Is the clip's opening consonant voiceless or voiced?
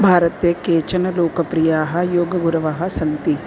voiced